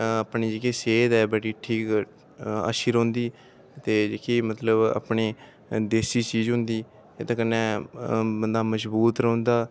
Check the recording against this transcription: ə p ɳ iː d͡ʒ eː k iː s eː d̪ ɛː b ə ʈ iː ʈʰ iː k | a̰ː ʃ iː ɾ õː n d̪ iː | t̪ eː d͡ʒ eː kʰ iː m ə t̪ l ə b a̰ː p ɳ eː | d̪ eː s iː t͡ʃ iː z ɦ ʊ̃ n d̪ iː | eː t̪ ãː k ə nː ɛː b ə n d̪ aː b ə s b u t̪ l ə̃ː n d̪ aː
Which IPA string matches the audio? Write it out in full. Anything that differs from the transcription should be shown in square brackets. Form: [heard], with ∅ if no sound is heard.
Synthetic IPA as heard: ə p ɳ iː d͡ʒ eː k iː s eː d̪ ɛː b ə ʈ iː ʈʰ iː k | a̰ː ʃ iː ɾ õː n d̪ iː | t̪ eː d͡ʒ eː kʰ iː m ə t̪ l ə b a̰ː p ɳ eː | d̪ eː s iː t͡ʃ iː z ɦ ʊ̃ n d̪ iː | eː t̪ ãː k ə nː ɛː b ə n d̪ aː [m] ə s b [uː] t̪ [ɾ] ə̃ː n d̪ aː

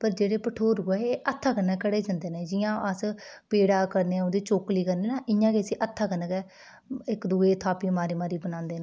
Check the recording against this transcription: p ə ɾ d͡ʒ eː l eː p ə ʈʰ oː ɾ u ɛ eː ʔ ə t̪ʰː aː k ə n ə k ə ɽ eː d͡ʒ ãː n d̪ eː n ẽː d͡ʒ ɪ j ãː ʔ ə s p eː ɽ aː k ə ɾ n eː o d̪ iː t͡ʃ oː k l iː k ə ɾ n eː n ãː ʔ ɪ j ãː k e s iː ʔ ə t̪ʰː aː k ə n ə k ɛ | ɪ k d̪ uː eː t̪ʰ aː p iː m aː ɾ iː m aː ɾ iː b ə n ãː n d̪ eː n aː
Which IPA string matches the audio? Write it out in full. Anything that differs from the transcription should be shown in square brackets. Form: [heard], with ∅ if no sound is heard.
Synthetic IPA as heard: p ə ɾ d͡ʒ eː [ɽ] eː p ə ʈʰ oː ɾ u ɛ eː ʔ ə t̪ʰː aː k ə n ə k ə ɽ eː d͡ʒ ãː n d̪ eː n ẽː d͡ʒ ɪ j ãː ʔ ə s p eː ɽ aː k ə ɾ n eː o d̪ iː t͡ʃ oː k l iː k ə ɾ n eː n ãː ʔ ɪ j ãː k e s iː ʔ ə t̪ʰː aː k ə n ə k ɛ | ɪ k d̪ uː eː t̪ʰ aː p iː m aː ɾ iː m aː ɾ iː b ə n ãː n d̪ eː n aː

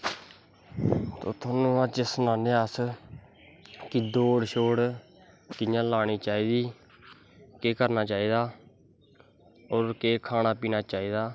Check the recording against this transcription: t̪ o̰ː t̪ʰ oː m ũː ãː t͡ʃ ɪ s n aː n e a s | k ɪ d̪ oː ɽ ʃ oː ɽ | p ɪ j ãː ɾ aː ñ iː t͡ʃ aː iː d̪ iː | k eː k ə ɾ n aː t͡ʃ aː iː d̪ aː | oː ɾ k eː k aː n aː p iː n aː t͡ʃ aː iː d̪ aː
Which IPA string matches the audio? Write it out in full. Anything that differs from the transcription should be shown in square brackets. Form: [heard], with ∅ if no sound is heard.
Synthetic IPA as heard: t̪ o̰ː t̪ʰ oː [n] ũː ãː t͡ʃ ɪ s n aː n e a s | k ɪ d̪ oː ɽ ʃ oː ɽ | [k] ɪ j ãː [l] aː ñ iː t͡ʃ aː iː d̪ iː | k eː k ə ɾ n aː t͡ʃ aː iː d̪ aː | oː ɾ k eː [kʰ] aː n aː p iː n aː t͡ʃ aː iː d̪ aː

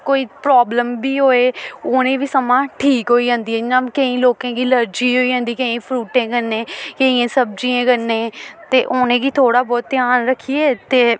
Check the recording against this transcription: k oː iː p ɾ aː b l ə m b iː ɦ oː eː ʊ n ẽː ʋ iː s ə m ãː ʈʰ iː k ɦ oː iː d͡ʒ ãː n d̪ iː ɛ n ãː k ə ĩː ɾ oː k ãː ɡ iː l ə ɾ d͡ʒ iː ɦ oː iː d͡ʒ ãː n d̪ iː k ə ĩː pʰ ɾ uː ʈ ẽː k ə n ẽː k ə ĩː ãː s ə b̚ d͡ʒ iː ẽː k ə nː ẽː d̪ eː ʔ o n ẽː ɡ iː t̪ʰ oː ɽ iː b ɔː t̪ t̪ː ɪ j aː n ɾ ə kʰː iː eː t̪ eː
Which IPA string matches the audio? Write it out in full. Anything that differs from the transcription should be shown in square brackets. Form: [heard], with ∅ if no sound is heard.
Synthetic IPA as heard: k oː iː p ɾ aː b l ə m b iː ɦ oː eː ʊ n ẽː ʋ iː s ə m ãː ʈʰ iː k ɦ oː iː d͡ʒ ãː n d̪ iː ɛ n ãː k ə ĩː [l] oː k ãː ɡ iː l ə ɾ d͡ʒ iː ɦ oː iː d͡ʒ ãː n d̪ iː k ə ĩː pʰ ɾ uː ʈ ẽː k ə n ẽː k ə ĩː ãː s ə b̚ d͡ʒ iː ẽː k ə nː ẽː [t̪] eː ʔ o n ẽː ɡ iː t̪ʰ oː ɽ [aː] b ɔː t̪ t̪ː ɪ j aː n ɾ ə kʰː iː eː t̪ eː

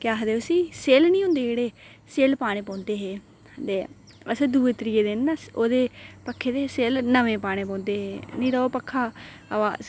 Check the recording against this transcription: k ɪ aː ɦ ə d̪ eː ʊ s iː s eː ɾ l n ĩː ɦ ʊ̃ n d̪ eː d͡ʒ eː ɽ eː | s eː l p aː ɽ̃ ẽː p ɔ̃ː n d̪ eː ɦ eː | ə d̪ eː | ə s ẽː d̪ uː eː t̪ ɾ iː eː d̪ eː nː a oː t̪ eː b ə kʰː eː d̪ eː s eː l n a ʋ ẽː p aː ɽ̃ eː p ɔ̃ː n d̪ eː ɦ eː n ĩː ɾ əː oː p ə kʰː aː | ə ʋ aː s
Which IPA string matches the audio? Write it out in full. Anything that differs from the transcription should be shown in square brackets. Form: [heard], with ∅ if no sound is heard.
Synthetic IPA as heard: k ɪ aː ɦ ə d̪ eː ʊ s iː s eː [∅] l n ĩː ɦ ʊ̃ n d̪ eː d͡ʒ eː ɽ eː | s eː l p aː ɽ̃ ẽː p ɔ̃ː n d̪ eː ɦ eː | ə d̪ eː | ə s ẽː d̪ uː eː t̪ ɾ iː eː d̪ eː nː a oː [d̪] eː [p] ə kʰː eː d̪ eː s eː l n [ə] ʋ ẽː p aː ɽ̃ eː p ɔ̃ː n d̪ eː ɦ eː n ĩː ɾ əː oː p ə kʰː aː | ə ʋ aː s

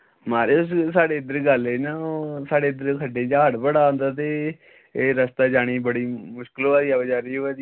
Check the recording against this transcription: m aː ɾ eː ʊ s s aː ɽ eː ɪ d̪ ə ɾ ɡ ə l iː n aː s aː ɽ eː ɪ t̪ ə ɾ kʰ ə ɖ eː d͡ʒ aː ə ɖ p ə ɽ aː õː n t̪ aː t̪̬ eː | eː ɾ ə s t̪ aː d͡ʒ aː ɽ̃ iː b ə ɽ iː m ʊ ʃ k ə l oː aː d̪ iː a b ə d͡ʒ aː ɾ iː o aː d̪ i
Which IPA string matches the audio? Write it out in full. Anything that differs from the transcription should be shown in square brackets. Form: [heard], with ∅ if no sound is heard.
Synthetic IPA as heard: m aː ɾ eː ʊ s s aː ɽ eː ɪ d̪ ə ɾ ɡ ə l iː n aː s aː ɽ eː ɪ [d̪] ə ɾ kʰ ə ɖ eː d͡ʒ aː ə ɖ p ə ɽ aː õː n [d̪] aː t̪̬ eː | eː ɾ ə s t̪ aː d͡ʒ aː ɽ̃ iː b ə ɽ iː m ʊ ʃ k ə l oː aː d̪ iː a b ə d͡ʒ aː ɾ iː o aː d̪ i

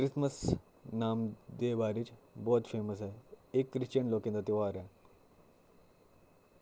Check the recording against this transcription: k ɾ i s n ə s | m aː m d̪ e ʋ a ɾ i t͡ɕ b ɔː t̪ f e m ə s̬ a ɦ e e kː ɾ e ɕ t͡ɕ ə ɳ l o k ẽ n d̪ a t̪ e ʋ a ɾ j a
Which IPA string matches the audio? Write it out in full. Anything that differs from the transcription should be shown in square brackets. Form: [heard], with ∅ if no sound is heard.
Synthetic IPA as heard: k ɾ i s [m] ə s | [n] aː m d̪ e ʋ a ɾ i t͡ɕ b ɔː t̪ f e m ə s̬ a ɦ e e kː ɾ [i] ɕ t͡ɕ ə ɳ l o k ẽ n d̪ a t̪ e ʋ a ɾ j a

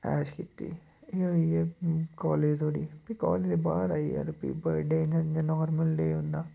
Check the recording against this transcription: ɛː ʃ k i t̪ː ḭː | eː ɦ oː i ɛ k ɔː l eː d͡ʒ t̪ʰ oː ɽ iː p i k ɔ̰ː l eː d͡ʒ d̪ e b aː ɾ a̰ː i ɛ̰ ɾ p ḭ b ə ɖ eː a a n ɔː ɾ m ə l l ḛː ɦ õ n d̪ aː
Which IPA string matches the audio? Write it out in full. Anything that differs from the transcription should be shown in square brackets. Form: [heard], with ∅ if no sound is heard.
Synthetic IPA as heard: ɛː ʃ k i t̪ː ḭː | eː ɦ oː i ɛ k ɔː l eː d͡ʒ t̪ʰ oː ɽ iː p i k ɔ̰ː l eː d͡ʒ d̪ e b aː ɾ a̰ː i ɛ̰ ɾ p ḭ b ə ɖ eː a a n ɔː ɾ m ə l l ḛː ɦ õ n d̪ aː

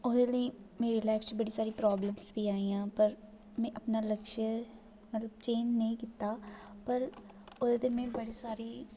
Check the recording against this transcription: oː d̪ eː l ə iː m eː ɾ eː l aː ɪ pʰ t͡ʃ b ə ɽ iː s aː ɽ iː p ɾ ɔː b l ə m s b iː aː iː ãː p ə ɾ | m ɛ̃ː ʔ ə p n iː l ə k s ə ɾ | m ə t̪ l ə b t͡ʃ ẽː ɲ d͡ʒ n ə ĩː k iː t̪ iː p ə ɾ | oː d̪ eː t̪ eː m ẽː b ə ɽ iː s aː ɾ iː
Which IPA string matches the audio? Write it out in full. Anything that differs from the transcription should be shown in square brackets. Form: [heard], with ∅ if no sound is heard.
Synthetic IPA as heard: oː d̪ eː l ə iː m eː ɾ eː l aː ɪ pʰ t͡ʃ b ə ɽ iː s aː [ɾ] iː p ɾ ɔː b l ə m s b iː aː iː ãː p ə ɾ | m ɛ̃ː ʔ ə p n [aː] l ə k [ʃ] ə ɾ | m ə t̪ l ə b t͡ʃ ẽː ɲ d͡ʒ n ə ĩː k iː t̪ [aː] p ə ɾ | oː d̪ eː t̪ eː m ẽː b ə ɽ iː s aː ɾ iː

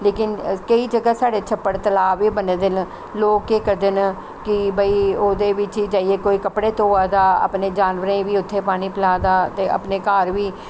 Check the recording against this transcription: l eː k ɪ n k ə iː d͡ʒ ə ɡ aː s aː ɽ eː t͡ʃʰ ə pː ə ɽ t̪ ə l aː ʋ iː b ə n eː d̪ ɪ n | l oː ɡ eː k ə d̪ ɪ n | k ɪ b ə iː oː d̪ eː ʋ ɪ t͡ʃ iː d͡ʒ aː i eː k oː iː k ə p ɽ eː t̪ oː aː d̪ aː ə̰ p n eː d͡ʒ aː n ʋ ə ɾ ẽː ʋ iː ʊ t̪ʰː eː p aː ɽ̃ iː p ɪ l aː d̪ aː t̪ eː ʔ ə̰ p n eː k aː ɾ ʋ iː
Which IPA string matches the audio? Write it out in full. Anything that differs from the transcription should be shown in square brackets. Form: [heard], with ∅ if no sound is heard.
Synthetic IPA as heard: l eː k ɪ n k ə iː d͡ʒ ə ɡ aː s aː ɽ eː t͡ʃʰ ə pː ə ɽ t̪ ə l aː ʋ iː b ə n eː d̪ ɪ n | l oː [k] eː k ə d̪ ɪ n | k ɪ b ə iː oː d̪ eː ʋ ɪ t͡ʃ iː d͡ʒ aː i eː k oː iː k ə p ɽ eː t̪ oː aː d̪ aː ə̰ p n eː d͡ʒ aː n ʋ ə ɾ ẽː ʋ iː ʊ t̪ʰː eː p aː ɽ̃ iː p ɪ l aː d̪ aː t̪ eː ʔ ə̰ p n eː k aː ɾ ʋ iː

